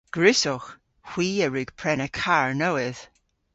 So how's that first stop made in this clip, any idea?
plain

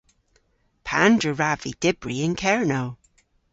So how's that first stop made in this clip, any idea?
aspirated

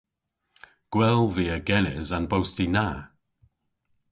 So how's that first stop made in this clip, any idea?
plain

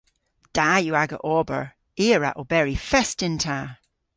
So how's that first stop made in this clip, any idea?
plain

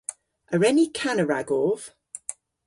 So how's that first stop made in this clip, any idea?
aspirated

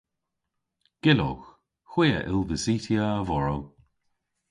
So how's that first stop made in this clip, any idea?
plain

